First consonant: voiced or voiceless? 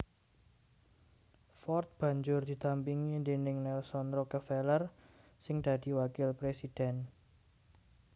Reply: voiceless